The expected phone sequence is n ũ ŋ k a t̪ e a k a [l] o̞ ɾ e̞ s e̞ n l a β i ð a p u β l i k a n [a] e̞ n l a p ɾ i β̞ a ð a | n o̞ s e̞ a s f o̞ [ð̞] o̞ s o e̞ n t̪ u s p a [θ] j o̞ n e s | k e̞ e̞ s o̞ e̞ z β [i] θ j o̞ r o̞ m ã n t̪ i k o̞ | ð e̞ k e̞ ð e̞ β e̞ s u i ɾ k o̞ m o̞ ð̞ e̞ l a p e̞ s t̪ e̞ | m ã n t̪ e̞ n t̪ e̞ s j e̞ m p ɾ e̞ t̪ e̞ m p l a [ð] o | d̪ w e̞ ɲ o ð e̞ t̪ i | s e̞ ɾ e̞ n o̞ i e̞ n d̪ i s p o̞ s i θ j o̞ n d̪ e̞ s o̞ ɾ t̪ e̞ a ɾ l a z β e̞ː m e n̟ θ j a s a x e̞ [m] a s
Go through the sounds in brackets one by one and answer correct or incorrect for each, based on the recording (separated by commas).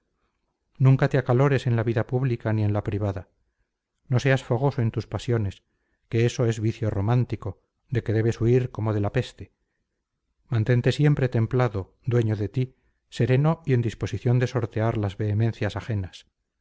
correct, incorrect, incorrect, incorrect, correct, correct, incorrect